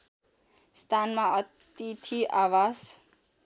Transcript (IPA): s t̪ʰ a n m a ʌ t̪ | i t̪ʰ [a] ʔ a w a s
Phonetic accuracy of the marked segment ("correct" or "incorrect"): incorrect